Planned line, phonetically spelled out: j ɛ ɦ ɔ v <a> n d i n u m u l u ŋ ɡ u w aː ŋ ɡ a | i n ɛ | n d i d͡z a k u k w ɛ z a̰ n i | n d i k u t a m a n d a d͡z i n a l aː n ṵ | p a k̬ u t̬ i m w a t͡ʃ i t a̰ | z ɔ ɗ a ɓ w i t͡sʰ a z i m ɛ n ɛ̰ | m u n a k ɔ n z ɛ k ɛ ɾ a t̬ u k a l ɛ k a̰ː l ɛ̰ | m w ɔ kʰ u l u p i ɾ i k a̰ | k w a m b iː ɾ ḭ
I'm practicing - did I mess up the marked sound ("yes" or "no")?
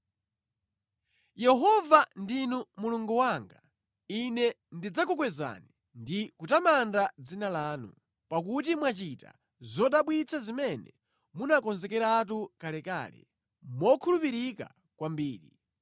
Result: no